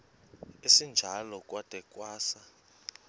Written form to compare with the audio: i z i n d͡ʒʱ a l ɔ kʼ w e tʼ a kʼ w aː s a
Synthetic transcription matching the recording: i s i n d͡ʒʱ a l ɔ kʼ w a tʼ ɛ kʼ w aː s a